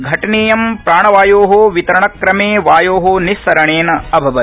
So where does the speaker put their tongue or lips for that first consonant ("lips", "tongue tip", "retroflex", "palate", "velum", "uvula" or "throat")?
velum